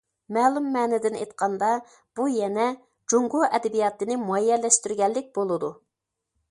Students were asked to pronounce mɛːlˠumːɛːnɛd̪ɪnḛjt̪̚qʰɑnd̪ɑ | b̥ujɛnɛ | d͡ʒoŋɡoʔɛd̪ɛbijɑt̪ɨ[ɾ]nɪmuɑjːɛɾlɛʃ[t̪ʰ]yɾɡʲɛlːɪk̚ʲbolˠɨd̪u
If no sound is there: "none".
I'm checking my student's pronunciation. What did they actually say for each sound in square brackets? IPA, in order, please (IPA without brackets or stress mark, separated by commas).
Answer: none, t̪